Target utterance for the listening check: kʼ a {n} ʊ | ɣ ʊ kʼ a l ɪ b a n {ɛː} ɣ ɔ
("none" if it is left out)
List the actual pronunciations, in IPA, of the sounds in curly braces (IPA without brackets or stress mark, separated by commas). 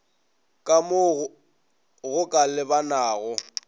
m, aː